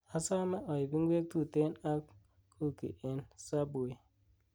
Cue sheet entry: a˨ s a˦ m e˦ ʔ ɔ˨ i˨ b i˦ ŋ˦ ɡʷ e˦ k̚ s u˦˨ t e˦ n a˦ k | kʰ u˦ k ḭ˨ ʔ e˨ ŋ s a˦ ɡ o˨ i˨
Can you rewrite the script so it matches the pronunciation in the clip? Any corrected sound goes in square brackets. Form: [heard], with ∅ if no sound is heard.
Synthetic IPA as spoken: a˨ s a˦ m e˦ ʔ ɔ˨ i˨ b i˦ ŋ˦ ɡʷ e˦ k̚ [t] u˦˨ t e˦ n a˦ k | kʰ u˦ k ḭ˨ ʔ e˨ [n] s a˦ [b] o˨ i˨

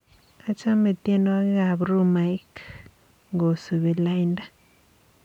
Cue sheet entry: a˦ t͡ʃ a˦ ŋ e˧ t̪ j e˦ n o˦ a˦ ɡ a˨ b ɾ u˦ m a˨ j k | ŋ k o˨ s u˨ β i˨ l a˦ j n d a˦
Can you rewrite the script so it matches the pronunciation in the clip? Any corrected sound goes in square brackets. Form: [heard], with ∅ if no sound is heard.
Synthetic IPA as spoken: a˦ t͡ʃ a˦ [m] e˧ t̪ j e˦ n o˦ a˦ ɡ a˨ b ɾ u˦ m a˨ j k | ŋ [ɡ] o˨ s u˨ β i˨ l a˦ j n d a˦

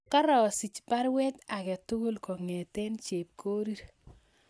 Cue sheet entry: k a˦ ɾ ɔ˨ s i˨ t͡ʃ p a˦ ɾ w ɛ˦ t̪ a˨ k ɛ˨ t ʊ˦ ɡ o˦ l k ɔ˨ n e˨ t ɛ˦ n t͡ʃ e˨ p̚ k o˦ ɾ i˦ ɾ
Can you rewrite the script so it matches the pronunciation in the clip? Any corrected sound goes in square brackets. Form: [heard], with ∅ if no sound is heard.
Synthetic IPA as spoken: k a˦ ɾ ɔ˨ s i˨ t͡ʃ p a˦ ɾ w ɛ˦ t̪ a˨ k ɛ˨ t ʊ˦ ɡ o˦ l k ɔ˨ [ŋ] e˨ t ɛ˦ n t͡ʃ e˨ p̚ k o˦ ɾ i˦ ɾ

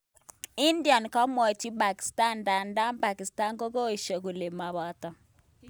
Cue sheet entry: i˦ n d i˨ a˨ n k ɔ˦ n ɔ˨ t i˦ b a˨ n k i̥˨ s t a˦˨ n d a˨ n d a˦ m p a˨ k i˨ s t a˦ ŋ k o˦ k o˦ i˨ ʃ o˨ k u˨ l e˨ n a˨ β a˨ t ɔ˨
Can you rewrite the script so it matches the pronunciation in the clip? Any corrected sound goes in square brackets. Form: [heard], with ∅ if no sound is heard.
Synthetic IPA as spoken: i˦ n d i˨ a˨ n k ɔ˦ [m] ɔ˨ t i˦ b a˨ [∅] k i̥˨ s t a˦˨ n d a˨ n d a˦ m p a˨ k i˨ s t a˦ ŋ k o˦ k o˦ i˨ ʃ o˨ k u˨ l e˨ [m] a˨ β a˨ t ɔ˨

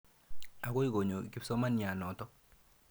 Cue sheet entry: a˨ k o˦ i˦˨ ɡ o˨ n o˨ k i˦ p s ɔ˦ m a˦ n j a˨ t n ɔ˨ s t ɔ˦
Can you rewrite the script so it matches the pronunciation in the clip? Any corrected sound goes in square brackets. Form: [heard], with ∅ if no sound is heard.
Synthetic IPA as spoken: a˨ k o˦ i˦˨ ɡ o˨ [ɲ] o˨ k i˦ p s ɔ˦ m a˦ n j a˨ [∅] n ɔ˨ [∅] t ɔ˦

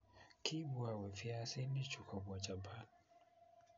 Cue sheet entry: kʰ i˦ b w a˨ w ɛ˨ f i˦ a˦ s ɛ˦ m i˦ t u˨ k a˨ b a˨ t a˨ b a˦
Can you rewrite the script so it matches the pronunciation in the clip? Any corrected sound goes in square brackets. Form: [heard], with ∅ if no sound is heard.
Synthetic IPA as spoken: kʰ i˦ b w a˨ w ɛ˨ f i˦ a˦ s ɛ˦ [n] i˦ [t͡ʃ] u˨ k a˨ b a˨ [t͡ʃ] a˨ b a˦

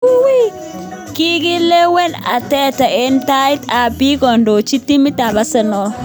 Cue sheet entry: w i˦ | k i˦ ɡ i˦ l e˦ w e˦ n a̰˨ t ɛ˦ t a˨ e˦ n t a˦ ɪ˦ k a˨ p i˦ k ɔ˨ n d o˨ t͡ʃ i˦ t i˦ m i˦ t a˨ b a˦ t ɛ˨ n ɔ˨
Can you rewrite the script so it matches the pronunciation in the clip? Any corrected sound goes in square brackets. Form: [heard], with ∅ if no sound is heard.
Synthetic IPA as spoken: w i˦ | k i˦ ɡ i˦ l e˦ w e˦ n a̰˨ t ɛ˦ t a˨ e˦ n t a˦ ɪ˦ [t] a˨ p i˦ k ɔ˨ n d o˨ t͡ʃ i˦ t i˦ m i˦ t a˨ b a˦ [s] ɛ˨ n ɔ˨

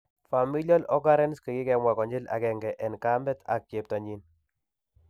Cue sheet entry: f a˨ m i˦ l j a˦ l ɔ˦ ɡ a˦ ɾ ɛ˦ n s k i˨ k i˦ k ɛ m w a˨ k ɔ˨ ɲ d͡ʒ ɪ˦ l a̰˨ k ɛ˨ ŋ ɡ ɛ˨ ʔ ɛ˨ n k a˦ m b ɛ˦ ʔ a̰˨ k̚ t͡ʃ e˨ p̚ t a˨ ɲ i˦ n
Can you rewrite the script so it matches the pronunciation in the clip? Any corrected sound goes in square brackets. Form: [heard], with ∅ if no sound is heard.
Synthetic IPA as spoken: f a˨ m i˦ l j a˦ l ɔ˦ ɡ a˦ ɾ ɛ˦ n s k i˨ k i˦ k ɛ m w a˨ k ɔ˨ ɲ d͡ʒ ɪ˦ l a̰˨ k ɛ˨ ŋ ɡ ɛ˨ ʔ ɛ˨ n k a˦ m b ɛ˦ [t] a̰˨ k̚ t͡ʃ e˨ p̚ t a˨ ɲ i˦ n

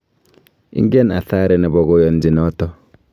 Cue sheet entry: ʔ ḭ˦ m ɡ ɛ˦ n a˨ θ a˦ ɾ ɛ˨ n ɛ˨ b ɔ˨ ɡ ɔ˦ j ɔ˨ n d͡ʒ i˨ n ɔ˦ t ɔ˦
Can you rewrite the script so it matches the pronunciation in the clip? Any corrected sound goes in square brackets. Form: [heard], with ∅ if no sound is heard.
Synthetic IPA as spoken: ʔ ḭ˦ [ŋ] ɡ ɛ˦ n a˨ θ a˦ ɾ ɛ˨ n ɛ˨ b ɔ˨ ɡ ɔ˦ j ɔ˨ n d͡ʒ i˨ n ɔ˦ t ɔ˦

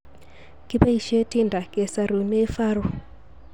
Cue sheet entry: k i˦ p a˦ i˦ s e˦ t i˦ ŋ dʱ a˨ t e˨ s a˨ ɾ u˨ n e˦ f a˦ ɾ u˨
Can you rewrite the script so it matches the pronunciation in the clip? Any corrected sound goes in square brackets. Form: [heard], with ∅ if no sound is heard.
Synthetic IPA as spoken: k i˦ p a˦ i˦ [ʃ] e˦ t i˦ [n] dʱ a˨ [k] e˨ s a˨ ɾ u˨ n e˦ f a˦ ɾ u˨

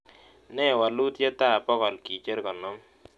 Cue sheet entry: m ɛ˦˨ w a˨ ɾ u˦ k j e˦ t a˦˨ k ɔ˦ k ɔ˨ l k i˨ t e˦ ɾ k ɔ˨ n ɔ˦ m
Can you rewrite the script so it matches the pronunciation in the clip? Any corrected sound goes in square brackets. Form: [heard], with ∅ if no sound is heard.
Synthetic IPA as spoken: [n] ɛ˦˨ w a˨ [l] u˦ [t] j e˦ t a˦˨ [p] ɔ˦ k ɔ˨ l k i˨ [t͡ʃ] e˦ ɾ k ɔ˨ n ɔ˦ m

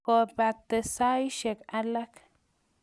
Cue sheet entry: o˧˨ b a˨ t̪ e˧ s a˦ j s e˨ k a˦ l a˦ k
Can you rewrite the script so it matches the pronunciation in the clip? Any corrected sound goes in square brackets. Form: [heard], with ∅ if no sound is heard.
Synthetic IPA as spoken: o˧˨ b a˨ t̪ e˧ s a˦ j [ʃ] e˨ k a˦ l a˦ k

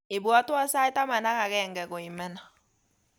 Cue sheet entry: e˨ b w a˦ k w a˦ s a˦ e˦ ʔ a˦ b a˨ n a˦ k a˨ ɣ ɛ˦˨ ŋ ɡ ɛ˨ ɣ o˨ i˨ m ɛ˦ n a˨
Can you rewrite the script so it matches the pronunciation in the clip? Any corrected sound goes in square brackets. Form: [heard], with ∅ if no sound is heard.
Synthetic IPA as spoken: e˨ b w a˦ [t] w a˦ s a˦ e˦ [t] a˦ [m] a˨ n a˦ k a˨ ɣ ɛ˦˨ ŋ ɡ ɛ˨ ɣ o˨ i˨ m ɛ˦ n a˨

